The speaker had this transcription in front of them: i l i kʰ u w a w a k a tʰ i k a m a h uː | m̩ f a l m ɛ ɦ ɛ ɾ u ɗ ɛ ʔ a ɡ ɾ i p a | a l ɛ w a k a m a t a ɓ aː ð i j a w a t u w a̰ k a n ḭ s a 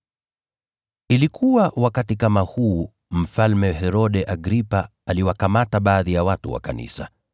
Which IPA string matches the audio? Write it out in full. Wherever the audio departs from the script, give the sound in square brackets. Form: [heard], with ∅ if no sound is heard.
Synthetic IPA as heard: i l i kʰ u w a w a k a [t] i k a m a h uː | m̩ f a l m ɛ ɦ ɛ ɾ [ɔ] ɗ ɛ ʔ a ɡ ɾ i p a | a l [i] w a k a m a t a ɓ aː ð i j a w a t u w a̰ k a n ḭ s a